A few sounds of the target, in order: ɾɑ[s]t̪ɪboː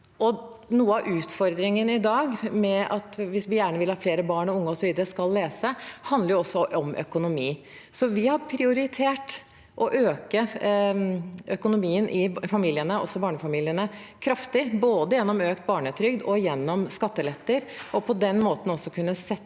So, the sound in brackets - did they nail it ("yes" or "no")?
no